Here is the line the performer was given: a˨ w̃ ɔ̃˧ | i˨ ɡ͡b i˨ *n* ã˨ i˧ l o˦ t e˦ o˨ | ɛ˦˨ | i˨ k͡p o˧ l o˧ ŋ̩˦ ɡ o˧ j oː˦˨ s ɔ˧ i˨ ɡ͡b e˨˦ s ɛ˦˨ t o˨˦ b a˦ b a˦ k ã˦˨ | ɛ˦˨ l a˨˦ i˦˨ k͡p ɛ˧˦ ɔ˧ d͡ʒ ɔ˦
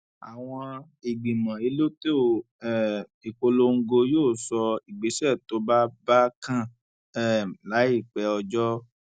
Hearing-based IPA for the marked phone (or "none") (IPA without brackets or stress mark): m